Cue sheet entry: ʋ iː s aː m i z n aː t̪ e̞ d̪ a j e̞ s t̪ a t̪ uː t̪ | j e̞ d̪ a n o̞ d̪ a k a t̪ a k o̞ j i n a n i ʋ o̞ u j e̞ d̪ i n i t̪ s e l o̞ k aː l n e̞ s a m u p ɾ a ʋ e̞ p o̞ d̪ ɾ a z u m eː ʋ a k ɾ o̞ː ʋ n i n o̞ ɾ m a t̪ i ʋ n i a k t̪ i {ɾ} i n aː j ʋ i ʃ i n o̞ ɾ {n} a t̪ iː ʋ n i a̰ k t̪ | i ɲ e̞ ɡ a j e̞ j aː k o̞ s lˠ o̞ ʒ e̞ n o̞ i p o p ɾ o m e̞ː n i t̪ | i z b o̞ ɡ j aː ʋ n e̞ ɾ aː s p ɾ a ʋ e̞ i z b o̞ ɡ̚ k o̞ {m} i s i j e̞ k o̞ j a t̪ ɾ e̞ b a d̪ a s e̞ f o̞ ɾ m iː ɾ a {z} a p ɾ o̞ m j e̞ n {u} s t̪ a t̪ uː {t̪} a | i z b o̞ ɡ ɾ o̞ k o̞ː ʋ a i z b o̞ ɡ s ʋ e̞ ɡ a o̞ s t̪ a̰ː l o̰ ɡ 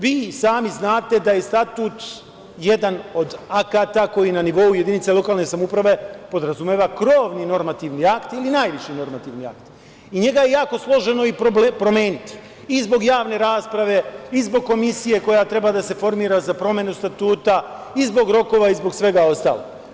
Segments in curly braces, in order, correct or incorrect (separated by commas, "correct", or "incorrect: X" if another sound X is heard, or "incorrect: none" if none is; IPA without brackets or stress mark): incorrect: l, incorrect: m, correct, correct, correct, correct